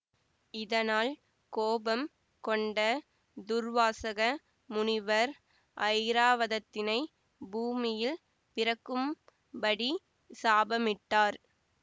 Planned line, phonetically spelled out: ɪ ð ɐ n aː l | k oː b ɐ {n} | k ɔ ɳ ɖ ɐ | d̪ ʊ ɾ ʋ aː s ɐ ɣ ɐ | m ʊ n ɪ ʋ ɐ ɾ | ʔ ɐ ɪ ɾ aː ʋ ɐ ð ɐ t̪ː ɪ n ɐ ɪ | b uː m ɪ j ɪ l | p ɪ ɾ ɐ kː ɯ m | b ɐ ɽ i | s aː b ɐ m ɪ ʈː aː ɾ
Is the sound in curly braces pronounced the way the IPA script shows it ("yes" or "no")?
no